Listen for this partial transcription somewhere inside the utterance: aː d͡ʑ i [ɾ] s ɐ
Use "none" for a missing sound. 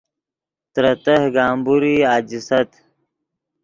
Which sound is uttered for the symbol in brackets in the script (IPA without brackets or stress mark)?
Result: none